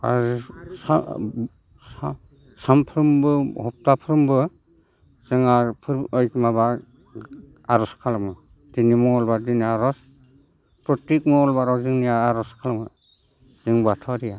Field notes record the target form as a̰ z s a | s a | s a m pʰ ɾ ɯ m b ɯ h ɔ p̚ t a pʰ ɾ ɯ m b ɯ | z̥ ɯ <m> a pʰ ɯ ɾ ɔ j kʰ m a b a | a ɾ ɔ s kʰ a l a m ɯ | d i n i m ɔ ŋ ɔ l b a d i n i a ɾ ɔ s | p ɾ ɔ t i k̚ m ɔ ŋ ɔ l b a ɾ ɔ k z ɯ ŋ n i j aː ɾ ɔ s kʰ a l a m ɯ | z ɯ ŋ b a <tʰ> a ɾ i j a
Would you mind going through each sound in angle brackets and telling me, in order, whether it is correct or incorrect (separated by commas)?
incorrect, correct